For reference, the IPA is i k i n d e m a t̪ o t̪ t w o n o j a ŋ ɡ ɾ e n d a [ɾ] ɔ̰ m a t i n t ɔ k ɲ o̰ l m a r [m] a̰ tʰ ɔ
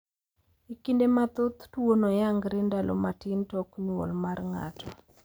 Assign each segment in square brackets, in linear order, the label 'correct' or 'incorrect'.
incorrect, incorrect

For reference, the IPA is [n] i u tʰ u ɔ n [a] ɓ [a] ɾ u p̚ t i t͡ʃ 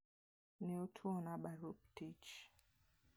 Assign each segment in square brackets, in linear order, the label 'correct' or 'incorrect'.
correct, correct, correct

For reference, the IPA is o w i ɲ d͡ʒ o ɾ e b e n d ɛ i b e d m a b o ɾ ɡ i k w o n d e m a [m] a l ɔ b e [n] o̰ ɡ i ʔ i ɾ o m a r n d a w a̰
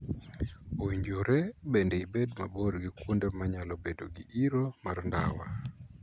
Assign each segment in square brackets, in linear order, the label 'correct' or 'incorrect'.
incorrect, incorrect

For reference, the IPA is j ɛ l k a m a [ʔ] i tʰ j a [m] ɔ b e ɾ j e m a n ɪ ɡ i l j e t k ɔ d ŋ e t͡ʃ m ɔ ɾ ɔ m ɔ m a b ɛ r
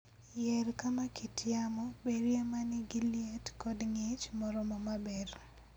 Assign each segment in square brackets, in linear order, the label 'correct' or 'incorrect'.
incorrect, correct

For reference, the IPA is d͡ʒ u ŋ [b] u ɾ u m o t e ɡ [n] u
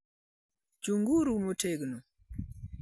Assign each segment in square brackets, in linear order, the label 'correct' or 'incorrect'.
incorrect, correct

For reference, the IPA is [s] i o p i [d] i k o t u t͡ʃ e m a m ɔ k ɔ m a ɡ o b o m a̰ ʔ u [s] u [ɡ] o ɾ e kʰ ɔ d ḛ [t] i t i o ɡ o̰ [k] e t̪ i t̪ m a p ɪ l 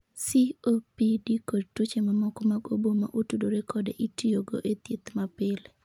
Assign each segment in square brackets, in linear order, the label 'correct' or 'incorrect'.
correct, correct, incorrect, incorrect, incorrect, incorrect

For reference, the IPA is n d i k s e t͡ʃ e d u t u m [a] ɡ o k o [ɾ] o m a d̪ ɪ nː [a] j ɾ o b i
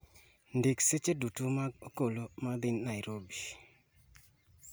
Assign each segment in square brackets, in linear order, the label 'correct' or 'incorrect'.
correct, incorrect, correct

